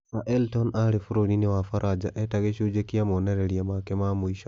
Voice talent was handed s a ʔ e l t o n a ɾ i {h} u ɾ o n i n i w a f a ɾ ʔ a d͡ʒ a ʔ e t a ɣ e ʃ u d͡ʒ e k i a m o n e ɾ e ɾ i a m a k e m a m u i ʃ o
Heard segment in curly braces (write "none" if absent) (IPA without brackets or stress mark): f